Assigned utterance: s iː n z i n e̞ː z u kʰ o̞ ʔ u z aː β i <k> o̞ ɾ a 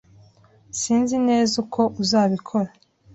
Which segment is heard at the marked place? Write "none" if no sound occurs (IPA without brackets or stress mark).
kʰ